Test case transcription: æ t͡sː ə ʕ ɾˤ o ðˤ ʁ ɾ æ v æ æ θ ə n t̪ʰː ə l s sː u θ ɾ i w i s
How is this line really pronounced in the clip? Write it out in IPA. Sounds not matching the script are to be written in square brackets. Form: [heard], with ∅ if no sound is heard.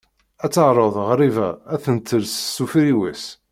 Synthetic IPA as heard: æ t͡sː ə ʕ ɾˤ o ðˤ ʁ ɾ [i] v æ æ θ ə n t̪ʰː ə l s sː u [f] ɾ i w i s